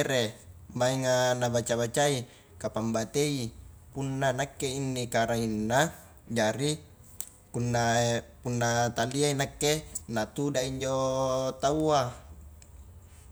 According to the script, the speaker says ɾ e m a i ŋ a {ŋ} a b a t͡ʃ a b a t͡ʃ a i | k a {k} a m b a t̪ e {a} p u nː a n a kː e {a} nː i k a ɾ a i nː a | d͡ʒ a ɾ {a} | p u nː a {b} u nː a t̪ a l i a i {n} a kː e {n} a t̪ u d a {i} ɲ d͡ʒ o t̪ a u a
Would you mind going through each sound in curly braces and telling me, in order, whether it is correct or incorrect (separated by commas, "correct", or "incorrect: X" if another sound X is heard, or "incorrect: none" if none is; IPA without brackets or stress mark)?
incorrect: n, incorrect: p, incorrect: i, incorrect: i, incorrect: i, incorrect: p, correct, correct, correct